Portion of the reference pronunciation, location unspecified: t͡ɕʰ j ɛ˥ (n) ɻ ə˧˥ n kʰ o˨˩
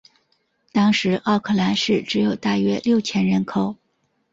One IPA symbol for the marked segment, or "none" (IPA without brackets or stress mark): n